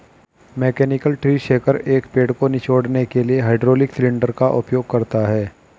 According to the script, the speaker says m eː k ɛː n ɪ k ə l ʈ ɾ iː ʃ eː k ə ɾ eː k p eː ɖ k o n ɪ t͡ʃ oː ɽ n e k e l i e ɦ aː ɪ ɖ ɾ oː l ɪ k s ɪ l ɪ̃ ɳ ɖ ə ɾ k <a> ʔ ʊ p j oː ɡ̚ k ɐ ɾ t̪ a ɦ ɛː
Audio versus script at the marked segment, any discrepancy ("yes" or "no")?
no